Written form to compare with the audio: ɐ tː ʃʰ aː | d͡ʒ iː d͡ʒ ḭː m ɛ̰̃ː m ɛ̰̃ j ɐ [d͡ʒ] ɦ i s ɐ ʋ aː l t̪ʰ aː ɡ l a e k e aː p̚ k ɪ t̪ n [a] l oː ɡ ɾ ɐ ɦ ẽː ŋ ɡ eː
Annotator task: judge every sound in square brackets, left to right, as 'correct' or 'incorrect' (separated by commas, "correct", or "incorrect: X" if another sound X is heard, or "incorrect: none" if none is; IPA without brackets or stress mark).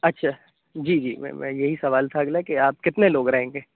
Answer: incorrect: none, incorrect: e